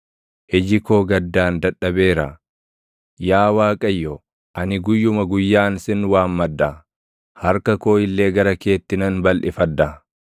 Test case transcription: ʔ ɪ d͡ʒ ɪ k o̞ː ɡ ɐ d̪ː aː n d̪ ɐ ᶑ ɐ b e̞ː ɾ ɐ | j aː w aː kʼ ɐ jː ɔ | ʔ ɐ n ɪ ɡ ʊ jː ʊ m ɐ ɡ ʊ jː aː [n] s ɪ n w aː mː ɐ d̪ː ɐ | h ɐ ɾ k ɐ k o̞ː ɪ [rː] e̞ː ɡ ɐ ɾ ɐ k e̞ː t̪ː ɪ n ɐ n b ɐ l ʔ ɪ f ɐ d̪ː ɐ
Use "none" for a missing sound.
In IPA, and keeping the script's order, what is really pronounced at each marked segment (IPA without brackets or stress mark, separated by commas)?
n, lː